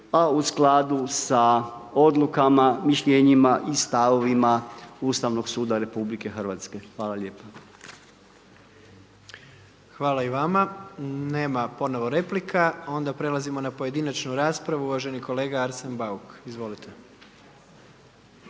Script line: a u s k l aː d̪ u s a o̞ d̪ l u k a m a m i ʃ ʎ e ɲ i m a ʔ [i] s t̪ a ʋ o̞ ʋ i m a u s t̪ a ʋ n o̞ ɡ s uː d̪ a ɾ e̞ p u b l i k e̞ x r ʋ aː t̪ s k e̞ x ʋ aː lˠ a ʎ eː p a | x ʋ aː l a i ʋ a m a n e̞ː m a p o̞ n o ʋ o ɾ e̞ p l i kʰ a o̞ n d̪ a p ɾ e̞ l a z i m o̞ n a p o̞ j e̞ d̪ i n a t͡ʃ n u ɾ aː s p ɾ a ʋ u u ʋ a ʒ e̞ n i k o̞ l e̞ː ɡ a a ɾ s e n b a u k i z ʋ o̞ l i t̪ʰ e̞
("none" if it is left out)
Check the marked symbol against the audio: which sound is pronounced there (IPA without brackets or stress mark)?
i